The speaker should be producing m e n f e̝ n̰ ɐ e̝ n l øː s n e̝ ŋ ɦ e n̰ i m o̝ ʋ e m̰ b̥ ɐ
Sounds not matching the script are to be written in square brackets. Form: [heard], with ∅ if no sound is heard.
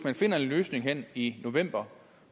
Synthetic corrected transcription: m [æ] n f e̝ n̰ ɐ e̝ n l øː s n e̝ ŋ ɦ e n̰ i [n] o̝ ʋ e m̰ b̥ ɐ